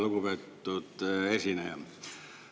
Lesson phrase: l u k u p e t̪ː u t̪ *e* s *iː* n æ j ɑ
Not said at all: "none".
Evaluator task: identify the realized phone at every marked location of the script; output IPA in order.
e, i

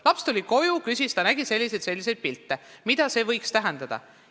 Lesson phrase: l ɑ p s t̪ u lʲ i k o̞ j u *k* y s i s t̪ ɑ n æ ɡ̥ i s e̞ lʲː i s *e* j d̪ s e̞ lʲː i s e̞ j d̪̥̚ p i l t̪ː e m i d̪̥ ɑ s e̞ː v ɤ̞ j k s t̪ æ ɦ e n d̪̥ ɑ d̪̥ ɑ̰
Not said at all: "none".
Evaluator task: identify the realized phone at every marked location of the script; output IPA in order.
k, e

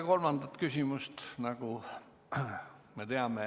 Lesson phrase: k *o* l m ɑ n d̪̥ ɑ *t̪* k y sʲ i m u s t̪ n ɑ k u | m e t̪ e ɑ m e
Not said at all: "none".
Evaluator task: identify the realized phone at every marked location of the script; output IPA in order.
o, t̪

